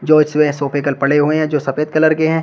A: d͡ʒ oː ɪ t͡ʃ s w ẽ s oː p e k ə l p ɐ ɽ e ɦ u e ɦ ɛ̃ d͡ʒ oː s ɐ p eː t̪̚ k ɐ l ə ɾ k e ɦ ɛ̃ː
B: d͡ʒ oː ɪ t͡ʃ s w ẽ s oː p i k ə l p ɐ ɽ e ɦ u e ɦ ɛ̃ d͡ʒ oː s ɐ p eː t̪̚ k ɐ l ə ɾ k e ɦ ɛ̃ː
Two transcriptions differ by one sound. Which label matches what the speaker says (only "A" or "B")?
A